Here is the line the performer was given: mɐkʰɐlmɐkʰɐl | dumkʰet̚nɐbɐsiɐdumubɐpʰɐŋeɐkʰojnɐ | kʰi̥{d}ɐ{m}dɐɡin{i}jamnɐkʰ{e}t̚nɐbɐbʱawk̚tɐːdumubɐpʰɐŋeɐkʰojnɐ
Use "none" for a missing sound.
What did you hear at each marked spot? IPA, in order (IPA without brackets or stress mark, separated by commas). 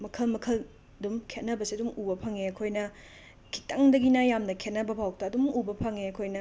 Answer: t, ŋ, a, e